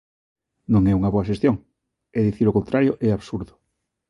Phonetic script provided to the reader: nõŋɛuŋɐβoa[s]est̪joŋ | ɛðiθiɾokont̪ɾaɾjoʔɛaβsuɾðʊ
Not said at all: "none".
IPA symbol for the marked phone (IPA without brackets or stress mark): ʃ